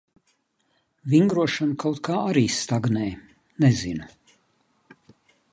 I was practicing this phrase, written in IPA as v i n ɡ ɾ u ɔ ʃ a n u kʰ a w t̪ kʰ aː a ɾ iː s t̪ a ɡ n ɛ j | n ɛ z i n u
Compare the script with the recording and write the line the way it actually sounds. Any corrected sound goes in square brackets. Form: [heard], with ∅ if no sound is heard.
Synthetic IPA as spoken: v i [ŋ] ɡ ɾ u ɔ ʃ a n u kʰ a w t̪ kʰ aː a ɾ iː s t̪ a ɡ n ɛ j | n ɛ z i n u

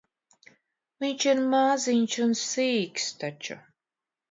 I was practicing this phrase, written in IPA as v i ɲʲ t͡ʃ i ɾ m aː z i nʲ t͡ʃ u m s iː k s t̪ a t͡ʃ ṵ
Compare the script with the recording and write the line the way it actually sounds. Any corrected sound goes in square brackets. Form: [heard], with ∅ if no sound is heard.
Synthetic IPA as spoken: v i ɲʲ t͡ʃ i ɾ m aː z i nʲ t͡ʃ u [n] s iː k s t̪ a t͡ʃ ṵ

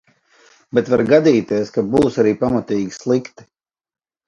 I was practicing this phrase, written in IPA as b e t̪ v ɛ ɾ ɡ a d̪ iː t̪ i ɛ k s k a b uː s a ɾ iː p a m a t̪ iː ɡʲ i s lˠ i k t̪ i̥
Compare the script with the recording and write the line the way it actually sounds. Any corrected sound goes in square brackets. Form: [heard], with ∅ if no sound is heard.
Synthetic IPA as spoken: b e t̪ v [a] ɾ ɡ a d̪ iː t̪ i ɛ [∅] s k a b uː s a ɾ iː p a m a t̪ iː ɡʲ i s lˠ i k t̪ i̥

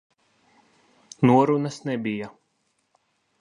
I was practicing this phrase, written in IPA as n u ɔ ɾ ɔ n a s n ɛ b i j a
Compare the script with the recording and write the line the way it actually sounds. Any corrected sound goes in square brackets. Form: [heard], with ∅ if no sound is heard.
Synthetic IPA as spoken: n u ɔ ɾ [u] n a s n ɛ b i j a

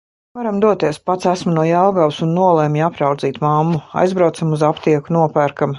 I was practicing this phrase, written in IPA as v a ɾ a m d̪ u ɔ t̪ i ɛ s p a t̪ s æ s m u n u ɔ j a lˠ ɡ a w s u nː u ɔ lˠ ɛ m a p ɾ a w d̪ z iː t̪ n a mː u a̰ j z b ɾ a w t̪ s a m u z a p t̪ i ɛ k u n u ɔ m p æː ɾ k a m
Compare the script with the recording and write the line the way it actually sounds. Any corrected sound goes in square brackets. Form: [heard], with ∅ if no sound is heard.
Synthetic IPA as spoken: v a ɾ a m d̪ u ɔ t̪ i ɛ s p a t̪ s æ s m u n u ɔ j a lˠ ɡ a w s u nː u ɔ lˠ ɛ m a p ɾ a w d̪ z iː t̪ [m] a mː u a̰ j z b ɾ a w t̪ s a m u z a p t̪ i ɛ k u n u ɔ [∅] p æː ɾ k a m

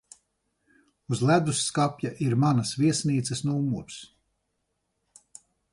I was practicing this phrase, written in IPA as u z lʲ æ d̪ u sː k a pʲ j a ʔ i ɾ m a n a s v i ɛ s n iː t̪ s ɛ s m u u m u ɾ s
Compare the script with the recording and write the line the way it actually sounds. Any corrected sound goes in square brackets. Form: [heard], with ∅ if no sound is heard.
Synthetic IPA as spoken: u z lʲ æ d̪ u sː k a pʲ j a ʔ i ɾ m a n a s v i ɛ s n iː t̪ s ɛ s [n] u u m u ɾ s

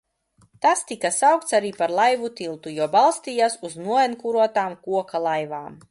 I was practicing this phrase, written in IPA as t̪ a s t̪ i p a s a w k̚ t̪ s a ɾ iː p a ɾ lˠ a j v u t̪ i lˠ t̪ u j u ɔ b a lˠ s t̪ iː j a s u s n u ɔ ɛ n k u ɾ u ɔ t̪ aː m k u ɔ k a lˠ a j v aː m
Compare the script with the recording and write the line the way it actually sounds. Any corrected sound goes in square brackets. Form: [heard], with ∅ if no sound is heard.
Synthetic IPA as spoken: t̪ a s t̪ i [k] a s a w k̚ t̪ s a ɾ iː p a ɾ lˠ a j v u t̪ i lˠ t̪ u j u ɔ b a lˠ s t̪ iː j a s u [z] n u ɔ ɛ n k u ɾ u ɔ t̪ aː m k u ɔ k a lˠ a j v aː m

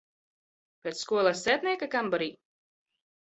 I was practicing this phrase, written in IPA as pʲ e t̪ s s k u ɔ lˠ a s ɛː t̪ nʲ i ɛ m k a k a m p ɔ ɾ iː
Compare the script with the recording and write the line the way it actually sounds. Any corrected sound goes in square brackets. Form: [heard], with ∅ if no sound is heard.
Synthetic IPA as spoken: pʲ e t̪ s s k u ɔ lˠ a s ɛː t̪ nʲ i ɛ [∅] k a k a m [b] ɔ ɾ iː

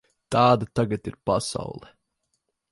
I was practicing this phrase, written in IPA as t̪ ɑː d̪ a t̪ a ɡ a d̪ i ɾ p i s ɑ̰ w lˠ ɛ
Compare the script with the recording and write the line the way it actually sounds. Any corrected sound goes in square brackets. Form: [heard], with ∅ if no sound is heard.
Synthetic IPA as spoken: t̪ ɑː d̪ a t̪ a ɡ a [t̪] i ɾ p [a] s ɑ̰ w lˠ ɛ

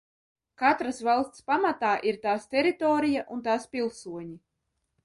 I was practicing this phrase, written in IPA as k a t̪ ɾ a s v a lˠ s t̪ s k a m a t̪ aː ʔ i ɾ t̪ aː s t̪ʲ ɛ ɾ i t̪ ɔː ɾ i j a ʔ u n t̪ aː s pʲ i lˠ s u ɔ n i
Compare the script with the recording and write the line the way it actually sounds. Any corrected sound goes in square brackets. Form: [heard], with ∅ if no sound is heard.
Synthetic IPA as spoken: k a t̪ ɾ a s v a lˠ s t̪ s [p] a m a t̪ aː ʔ i ɾ t̪ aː s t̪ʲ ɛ ɾ i t̪ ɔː ɾ i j a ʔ u n t̪ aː s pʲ i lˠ s u ɔ [ɲ] i

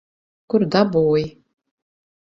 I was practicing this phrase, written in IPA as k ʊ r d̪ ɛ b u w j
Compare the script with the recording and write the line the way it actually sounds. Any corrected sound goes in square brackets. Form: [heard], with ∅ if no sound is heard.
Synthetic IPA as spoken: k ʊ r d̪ [a] b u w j

